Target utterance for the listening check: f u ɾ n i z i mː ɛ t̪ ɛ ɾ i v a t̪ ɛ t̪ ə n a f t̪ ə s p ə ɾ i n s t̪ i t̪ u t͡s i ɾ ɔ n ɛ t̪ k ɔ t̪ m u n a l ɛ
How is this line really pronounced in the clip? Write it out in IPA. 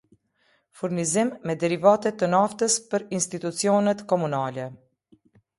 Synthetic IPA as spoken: f u ɾ n i z i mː ɛ d̪ ɛ ɾ i v a t̪ ɛ t̪ ə n a f t̪ ə s p ə ɾ i n s t̪ i t̪ u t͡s i ɔ n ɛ t̪ k ɔ m u n a l ɛ